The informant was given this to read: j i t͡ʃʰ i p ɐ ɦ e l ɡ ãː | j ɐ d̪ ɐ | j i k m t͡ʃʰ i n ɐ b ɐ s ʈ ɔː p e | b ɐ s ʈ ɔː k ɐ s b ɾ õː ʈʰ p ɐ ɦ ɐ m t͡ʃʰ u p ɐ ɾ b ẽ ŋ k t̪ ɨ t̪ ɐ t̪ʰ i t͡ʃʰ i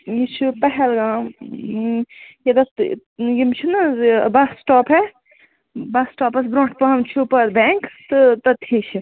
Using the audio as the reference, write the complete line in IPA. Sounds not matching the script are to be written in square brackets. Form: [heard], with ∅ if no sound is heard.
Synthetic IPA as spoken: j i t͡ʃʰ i p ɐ ɦ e l ɡ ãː | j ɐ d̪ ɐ | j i [∅] m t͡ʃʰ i n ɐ b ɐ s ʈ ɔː p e | b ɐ s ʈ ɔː [p] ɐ s b ɾ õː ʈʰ p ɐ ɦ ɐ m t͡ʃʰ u p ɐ ɾ b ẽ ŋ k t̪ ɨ t̪ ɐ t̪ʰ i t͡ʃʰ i